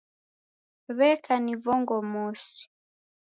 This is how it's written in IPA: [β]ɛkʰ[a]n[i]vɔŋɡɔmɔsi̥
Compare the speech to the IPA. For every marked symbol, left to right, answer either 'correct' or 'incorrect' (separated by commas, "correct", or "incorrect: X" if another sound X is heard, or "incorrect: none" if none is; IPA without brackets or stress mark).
correct, correct, correct